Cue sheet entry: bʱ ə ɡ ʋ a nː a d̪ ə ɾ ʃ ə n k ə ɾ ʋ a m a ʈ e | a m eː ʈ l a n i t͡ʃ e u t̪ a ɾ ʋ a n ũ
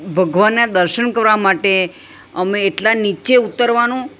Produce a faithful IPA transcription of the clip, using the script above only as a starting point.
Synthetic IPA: bʱ ə ɡ ʋ a nː a d̪ ə ɾ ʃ ə n k ə ɾ ʋ a m a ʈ e | ə m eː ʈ l a n i t͡ʃ e u t̪ ə ɾ ʋ a n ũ